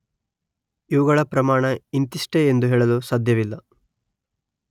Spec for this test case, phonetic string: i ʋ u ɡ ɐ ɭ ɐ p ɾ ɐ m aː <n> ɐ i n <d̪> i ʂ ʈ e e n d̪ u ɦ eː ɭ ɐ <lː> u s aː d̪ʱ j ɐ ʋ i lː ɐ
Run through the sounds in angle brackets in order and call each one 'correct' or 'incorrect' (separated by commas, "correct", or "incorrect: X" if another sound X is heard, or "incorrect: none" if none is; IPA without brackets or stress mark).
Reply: incorrect: ɳ, incorrect: t̪, incorrect: l